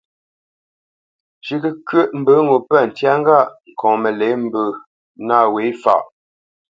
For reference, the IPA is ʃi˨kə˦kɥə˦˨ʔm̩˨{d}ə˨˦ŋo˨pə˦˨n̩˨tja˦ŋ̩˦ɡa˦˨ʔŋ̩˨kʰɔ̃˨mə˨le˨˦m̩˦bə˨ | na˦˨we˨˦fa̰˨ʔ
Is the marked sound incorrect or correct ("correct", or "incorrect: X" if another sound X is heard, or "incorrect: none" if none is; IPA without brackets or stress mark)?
incorrect: b